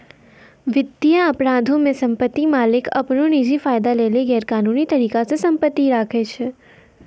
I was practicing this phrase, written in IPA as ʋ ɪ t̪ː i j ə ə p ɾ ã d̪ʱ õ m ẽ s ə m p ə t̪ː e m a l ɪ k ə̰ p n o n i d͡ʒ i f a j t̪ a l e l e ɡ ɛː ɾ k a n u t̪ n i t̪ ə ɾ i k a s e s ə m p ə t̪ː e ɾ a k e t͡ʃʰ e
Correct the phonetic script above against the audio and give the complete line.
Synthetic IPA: ʋ ɪ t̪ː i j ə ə p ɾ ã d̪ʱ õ m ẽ s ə m p ə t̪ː i m a l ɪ k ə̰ p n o n i d͡ʒ i f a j d̪ a l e l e ɡ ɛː ɾ k a n u n i t̪ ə ɾ i k a s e s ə m p ə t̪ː i ɾ a kʰ e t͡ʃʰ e